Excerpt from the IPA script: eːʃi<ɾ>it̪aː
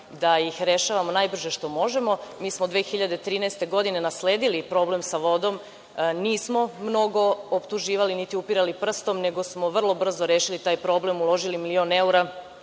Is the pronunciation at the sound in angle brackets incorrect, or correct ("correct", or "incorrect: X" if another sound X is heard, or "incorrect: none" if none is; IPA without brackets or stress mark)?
incorrect: l